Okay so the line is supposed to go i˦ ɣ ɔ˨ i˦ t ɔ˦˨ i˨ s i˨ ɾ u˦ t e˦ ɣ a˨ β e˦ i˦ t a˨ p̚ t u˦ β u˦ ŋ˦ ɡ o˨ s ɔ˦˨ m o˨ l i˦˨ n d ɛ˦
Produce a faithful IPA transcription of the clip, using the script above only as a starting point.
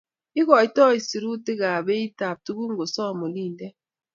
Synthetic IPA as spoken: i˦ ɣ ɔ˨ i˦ t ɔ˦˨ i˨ s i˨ ɾ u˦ t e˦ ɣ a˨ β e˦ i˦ t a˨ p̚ t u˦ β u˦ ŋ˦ ɡ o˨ s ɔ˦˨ m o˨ l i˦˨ n d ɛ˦